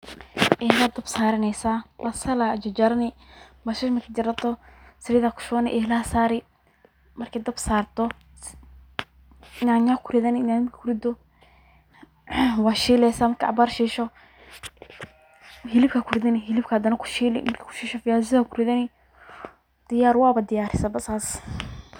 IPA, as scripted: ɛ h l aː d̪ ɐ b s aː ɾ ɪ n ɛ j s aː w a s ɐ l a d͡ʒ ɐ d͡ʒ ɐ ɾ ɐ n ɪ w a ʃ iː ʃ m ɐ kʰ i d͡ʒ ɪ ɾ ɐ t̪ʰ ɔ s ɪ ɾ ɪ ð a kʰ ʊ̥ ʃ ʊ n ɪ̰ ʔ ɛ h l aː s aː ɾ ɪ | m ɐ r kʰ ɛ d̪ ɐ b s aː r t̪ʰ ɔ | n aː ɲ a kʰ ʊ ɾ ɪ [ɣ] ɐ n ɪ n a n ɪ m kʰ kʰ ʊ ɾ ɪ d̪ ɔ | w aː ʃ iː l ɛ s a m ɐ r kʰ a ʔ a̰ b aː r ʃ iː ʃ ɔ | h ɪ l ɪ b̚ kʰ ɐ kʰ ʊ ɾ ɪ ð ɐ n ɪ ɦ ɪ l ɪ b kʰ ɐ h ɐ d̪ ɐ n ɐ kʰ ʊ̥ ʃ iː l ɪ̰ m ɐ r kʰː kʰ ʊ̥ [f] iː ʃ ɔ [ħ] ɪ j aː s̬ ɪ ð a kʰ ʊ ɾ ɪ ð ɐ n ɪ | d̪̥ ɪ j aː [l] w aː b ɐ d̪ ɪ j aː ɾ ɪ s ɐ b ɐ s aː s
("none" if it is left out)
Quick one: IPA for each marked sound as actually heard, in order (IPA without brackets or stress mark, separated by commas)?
ð, ʃ, f, ɾ